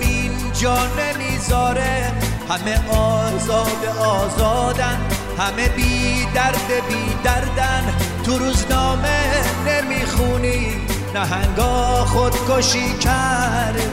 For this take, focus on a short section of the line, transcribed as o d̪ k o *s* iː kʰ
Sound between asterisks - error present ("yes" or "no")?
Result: yes